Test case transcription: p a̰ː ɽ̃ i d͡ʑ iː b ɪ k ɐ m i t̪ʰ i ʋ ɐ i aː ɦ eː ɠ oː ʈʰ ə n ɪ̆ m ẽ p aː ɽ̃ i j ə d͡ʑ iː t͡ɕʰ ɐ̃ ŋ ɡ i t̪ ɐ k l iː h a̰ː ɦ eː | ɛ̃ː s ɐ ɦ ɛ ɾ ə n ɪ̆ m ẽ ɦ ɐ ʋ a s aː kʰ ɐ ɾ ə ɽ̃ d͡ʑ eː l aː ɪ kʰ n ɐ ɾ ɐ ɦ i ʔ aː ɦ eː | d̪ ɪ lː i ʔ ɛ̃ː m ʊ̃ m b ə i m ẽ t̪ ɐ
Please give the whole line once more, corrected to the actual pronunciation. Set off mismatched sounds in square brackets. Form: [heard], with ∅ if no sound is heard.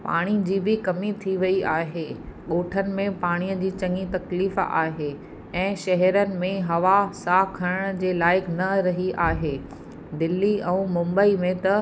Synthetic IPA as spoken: p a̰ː ɽ̃ i d͡ʑ iː b ɪ k ɐ m i t̪ʰ i ʋ ɐ i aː ɦ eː ɠ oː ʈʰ ə n ɪ̆ m ẽ p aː ɽ̃ i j ə d͡ʑ iː [t͡ɕ] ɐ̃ ŋ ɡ i t̪ ɐ k l iː [f] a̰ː ɦ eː | ɛ̃ː [ʃ] ɐ ɦ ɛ ɾ ə n ɪ̆ m ẽ ɦ ɐ ʋ a s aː kʰ ɐ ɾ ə ɽ̃ d͡ʑ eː l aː ɪ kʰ n ɐ ɾ ɐ ɦ i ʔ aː ɦ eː | d̪ ɪ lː i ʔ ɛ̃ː m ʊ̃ m b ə i m ẽ t̪ ɐ